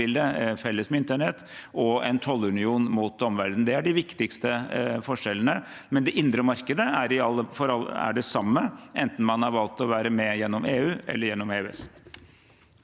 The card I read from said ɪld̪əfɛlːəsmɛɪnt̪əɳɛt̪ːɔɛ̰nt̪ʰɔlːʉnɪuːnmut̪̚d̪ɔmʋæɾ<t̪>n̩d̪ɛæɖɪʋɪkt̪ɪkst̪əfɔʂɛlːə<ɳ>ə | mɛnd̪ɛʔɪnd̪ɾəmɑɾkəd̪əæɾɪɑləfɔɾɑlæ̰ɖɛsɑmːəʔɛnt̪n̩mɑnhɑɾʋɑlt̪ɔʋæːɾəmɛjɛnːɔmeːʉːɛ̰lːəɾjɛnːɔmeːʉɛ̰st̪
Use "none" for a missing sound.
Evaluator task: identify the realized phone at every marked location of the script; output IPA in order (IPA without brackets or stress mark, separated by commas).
d̪, n